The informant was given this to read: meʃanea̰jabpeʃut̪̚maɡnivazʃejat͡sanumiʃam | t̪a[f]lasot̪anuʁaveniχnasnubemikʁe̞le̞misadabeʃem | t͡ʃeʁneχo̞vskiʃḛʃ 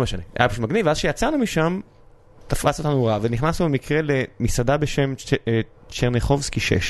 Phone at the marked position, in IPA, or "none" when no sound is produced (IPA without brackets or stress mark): f